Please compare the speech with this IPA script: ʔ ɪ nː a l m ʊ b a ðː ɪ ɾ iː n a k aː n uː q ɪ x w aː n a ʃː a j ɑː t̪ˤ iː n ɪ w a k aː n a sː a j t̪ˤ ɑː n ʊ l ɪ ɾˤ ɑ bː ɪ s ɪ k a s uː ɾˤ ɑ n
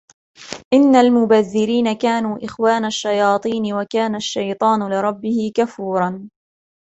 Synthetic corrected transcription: ʔ ɪ nː a l m ʊ b a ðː ɪ ɾ iː n a k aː n uː ʔ ɪ x w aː n a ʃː a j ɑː t̪ˤ iː n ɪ w a k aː n a ʃː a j t̪ˤ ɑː n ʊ l ɪ ɾˤ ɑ bː ɪ h ɪ k a f uː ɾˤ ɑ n